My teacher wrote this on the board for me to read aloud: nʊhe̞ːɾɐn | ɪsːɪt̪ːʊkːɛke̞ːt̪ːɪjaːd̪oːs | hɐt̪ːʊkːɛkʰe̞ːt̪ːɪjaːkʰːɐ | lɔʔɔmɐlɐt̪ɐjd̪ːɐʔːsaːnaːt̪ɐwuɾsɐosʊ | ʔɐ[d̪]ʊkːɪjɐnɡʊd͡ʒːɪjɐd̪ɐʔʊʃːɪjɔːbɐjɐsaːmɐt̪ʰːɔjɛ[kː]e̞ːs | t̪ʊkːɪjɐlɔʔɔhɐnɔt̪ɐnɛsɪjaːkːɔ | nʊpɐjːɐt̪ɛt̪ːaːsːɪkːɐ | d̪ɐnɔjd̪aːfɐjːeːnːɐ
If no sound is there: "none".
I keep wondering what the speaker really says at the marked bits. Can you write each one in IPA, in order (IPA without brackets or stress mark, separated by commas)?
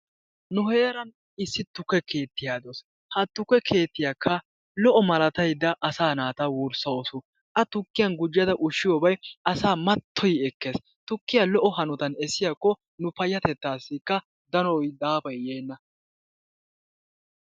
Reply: t̪, kː